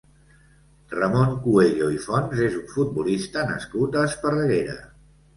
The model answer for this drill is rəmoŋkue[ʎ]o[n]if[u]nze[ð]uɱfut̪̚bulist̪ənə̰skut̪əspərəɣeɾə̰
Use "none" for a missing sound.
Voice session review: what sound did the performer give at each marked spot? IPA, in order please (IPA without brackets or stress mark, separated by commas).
ʎ, none, ɔ, z